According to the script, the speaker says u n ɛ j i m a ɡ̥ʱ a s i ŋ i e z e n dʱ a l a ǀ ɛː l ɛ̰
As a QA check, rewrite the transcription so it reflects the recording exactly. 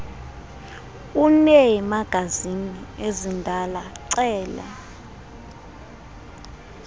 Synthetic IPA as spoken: u n ɛ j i m a ɡ̥ʱ a z i n i e z i n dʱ a l a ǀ ɛː l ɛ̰